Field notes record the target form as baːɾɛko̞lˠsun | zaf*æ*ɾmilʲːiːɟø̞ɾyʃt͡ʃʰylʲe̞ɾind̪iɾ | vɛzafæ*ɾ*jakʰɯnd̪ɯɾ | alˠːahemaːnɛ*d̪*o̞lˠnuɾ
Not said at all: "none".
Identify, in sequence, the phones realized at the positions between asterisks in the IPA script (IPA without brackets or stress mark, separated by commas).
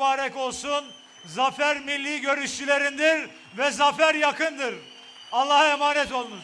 æ, ɾ, t̪